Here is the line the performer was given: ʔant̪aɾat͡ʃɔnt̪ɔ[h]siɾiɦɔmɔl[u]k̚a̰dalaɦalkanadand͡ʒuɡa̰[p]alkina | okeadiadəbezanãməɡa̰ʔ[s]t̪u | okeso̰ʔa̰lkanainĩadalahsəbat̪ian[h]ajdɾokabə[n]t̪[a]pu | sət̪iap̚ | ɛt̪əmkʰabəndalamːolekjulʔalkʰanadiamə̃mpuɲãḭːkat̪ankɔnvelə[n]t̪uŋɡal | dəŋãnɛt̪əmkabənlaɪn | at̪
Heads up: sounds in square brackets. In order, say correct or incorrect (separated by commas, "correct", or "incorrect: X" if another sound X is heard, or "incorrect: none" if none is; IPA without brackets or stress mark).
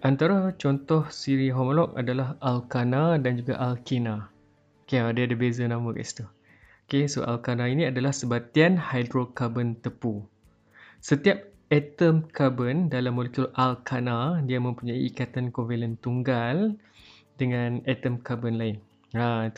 correct, incorrect: ɔ, incorrect: ʔ, correct, correct, correct, incorrect: ə, correct